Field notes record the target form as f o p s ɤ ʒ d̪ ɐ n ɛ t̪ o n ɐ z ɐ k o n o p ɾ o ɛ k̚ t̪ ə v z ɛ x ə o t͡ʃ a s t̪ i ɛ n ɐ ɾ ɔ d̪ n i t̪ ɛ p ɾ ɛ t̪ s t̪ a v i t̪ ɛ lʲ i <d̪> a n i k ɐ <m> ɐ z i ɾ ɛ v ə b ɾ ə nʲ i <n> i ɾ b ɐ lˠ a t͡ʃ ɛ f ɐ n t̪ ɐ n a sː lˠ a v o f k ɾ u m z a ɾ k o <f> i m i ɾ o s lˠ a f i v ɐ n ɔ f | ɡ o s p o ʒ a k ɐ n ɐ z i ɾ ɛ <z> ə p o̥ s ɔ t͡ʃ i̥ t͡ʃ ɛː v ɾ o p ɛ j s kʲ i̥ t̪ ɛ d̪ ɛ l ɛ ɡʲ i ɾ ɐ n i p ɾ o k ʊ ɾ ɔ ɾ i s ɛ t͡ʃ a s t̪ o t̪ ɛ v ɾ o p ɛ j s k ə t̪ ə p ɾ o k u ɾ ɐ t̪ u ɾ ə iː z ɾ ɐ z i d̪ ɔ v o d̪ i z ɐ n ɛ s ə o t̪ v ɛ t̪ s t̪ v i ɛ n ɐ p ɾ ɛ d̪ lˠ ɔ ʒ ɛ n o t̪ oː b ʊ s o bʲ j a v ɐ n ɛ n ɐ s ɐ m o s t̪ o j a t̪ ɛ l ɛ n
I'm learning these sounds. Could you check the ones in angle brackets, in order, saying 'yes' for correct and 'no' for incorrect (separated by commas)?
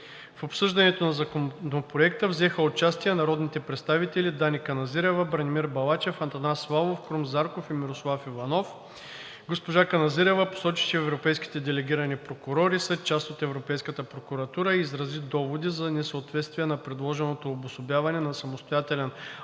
yes, no, no, yes, no